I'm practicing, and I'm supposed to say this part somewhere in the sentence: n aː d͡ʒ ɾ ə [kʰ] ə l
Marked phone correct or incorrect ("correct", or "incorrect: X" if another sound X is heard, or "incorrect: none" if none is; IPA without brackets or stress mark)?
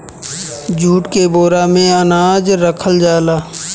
correct